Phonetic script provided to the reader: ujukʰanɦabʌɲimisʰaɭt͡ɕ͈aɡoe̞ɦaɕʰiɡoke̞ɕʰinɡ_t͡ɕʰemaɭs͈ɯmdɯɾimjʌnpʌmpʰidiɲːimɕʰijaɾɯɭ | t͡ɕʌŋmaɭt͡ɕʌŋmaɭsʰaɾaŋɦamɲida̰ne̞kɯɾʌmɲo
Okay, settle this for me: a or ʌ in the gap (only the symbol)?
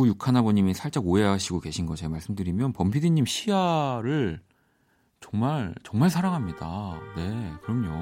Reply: ʌ